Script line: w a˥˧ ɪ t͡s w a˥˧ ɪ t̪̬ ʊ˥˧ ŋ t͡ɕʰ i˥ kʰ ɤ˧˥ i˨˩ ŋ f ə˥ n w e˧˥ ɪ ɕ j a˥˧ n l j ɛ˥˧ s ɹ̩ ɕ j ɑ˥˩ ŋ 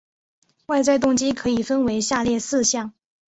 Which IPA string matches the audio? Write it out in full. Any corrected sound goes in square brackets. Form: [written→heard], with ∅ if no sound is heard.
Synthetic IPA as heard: w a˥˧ ɪ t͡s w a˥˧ ɪ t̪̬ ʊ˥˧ ŋ [t͡ɕʰ→t͡ɕ] i˥ kʰ ɤ˧˥ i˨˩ [ŋ→∅] f ə˥ n w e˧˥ ɪ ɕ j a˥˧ [n→∅] l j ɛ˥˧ s ɹ̩ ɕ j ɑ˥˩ ŋ